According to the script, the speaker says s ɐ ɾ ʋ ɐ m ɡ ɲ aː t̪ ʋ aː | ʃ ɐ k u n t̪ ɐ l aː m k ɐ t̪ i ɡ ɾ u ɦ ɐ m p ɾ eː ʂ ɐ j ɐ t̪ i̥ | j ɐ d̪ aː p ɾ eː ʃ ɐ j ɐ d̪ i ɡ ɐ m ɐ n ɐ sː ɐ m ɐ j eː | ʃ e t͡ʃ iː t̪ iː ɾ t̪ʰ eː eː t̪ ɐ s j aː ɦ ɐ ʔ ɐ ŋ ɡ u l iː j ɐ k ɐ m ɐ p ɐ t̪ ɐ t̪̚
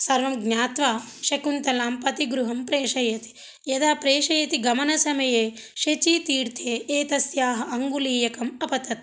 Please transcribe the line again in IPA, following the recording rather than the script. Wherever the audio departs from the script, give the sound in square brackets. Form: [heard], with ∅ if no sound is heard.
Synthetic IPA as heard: s ɐ ɾ ʋ ɐ m ɡ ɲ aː t̪ ʋ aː | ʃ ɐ k u n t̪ ɐ l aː m [p] ɐ t̪ i ɡ ɾ u ɦ ɐ m p ɾ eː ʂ ɐ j ɐ t̪ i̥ | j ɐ d̪ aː p ɾ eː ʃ ɐ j ɐ [t̪] i ɡ ɐ m ɐ n ɐ [s] ɐ m ɐ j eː | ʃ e t͡ʃ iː t̪ iː ɾ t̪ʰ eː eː t̪ ɐ s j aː ɦ ɐ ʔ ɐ ŋ ɡ u l iː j ɐ k ɐ m ɐ p ɐ t̪ ɐ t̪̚